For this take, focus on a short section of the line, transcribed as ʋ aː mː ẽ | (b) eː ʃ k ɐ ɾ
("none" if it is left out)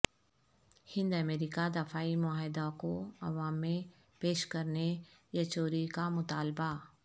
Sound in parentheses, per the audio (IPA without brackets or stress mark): p